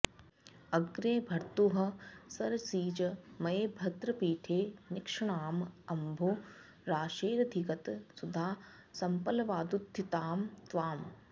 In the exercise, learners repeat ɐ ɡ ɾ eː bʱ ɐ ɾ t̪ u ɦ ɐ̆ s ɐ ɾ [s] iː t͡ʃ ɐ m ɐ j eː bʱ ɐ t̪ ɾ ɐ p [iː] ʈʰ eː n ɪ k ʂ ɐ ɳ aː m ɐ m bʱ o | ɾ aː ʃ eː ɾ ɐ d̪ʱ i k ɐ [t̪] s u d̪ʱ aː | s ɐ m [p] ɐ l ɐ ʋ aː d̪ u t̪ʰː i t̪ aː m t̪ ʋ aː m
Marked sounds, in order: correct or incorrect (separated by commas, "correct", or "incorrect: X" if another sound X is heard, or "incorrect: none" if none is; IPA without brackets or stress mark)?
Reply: correct, correct, correct, correct